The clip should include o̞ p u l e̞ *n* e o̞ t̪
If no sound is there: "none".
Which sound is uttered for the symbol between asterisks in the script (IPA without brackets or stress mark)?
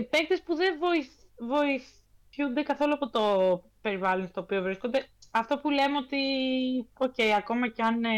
m